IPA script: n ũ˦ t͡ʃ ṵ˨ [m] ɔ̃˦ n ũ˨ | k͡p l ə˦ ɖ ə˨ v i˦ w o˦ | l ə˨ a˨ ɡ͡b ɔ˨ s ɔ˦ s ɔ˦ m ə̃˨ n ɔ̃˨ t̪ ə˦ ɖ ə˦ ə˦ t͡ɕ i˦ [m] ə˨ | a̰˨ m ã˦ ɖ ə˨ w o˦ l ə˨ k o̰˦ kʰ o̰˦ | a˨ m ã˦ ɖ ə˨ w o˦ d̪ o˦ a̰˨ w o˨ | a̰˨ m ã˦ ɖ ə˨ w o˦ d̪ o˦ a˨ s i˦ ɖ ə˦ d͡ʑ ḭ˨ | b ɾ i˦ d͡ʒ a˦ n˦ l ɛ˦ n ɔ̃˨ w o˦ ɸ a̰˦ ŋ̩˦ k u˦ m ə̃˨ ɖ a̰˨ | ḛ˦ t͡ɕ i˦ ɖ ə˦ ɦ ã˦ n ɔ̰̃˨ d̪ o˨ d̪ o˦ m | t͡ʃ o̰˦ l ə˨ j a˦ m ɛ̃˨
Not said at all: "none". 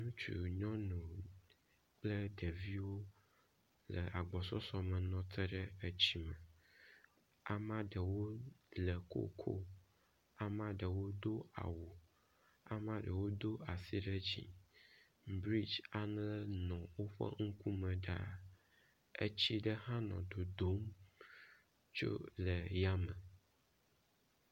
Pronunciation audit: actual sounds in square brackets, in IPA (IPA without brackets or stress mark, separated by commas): ɲ, m